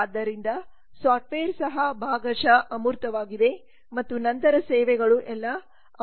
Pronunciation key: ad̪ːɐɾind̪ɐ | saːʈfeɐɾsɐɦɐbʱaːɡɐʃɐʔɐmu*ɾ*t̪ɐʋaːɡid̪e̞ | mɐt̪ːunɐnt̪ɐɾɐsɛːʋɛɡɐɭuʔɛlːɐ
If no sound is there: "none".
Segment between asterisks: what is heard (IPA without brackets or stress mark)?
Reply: ɾ